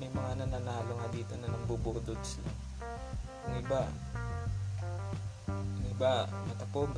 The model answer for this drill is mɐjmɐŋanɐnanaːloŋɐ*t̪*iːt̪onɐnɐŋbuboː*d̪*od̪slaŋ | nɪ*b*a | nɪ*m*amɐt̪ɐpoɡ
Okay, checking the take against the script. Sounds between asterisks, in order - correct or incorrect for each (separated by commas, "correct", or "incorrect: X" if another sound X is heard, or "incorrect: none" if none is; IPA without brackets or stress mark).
incorrect: d̪, correct, correct, incorrect: b